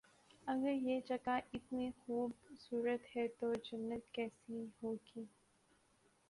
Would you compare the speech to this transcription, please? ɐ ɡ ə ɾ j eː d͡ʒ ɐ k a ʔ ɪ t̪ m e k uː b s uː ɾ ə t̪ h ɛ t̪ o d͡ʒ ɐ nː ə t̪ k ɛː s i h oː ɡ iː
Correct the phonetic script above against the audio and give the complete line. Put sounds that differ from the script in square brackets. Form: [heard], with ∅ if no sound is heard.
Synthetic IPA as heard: ɐ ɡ ə ɾ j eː d͡ʒ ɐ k a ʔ ɪ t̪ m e [x] uː b s uː ɾ ə t̪ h ɛ t̪ o d͡ʒ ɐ nː ə t̪ k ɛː s i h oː ɡ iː